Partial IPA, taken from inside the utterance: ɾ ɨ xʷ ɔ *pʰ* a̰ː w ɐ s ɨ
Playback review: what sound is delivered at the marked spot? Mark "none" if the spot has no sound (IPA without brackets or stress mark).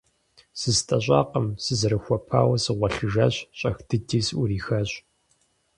pʰ